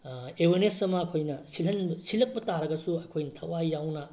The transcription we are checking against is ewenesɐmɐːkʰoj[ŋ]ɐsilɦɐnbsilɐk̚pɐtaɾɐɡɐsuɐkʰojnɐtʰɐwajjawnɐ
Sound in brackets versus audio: incorrect: n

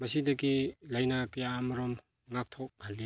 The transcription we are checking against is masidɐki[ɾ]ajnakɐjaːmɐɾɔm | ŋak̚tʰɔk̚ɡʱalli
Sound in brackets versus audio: incorrect: l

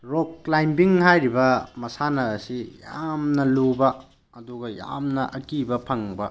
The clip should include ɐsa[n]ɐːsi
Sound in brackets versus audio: correct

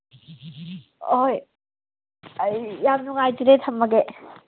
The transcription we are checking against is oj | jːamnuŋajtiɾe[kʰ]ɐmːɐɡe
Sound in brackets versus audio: incorrect: tʰ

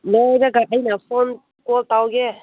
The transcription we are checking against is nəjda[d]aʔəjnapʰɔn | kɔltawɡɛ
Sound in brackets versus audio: incorrect: ɡ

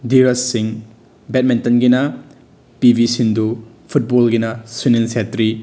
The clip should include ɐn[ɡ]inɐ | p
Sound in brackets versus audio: correct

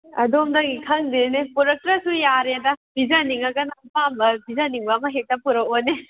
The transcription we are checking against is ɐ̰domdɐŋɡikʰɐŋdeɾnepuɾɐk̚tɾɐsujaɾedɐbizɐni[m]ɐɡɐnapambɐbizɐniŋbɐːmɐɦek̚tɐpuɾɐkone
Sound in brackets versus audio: incorrect: ŋ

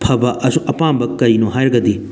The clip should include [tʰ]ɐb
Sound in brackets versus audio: incorrect: pʰ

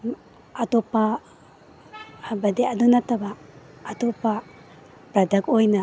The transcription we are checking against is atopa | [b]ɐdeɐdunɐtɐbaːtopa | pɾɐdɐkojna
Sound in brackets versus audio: correct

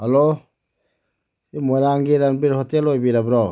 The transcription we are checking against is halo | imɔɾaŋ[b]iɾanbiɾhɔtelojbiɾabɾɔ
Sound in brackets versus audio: incorrect: ɡ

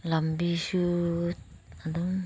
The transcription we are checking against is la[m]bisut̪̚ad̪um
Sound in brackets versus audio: correct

